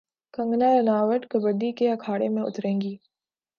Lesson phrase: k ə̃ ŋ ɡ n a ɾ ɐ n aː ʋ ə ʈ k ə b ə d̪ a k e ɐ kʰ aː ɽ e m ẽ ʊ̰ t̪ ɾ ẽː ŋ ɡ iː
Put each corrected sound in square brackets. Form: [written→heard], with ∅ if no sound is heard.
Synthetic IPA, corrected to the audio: k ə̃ ŋ ɡ n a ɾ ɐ n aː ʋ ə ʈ k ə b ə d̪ [a→i] k e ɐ kʰ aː ɽ e m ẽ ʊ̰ t̪ ɾ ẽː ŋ ɡ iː

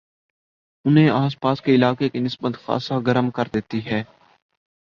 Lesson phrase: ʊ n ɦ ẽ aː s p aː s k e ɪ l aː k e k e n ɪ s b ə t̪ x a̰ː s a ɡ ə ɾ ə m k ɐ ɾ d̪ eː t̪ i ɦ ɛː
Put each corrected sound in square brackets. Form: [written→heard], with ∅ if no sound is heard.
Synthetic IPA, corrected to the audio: ʊ n ɦ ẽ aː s p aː s k e ɪ l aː k e k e n ɪ s b ə t̪ x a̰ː s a ɡ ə ɾ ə m k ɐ ɾ d̪ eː t̪ i ɦ ɛː

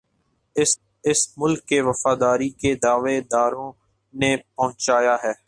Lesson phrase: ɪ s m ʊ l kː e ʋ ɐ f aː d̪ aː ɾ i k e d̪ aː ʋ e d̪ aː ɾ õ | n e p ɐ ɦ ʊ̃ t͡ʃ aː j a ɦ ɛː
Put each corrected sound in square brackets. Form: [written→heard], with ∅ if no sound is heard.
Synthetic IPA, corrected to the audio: ɪ s m ʊ l kː e ʋ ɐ f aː d̪ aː ɾ i k e d̪ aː ʋ e d̪ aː ɾ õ | n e p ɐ ɦ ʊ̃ t͡ʃ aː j a ɦ ɛː

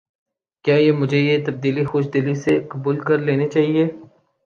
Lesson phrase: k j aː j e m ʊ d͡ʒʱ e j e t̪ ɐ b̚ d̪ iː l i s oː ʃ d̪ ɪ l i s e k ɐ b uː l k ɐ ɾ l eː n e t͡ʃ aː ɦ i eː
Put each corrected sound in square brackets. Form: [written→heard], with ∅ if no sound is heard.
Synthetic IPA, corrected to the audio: k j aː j e m ʊ d͡ʒʱ e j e t̪ ɐ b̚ d̪ iː l i [s→x] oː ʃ d̪ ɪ l i s e k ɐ b uː l k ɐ ɾ l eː n e t͡ʃ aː ɦ i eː

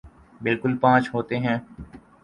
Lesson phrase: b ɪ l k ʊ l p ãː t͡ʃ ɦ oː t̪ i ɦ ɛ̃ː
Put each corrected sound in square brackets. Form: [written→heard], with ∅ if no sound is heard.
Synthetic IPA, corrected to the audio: b ɪ l k ʊ l p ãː t͡ʃ ɦ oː t̪ [i→e] ɦ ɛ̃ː

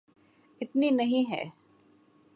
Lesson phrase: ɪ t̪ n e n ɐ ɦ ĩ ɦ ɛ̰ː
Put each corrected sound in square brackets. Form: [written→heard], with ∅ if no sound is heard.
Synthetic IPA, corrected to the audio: ɪ t̪ n [e→i] n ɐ ɦ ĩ ɦ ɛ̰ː

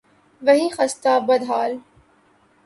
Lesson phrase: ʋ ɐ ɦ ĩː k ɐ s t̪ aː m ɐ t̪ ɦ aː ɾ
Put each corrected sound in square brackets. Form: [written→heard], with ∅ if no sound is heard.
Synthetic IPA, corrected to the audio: ʋ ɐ ɦ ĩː [k→x] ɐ s t̪ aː [m→b] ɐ [t̪→d̪] ɦ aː [ɾ→l]

